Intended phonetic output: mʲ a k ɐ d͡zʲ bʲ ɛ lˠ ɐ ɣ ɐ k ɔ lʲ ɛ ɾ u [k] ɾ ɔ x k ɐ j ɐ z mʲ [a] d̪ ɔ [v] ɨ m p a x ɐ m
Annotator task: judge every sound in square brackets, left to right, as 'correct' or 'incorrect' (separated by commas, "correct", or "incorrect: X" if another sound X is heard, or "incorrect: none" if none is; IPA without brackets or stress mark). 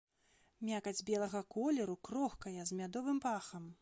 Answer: correct, correct, correct